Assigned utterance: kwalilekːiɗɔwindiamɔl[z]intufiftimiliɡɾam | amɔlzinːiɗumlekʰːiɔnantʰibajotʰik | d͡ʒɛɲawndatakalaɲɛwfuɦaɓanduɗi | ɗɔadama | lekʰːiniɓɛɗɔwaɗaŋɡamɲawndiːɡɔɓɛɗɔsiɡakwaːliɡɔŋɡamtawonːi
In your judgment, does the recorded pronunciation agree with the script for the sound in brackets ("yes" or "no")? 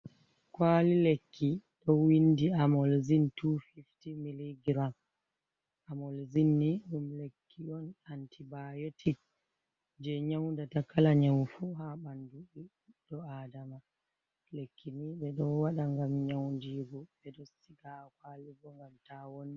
yes